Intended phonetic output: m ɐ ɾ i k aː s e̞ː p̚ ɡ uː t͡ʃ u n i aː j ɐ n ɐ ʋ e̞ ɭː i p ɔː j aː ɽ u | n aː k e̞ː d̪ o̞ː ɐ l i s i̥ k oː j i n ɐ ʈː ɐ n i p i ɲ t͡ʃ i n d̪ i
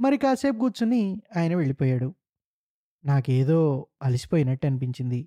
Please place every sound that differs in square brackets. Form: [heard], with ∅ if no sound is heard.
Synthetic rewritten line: m ɐ ɾ i k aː s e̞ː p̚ ɡ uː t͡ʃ u n i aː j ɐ n ɐ ʋ e̞ [ɭ] i p ɔː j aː ɽ u | n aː k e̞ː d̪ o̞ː ɐ l i s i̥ [p] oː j i n ɐ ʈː ɐ n i p i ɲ t͡ʃ i n d̪ i